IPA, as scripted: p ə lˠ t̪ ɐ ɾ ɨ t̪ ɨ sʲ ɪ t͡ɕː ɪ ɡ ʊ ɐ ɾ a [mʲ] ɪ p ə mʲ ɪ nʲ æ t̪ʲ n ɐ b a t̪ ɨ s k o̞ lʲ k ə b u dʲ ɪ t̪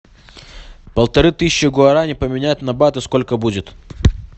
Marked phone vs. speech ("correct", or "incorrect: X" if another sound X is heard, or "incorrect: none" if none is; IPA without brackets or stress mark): incorrect: nʲ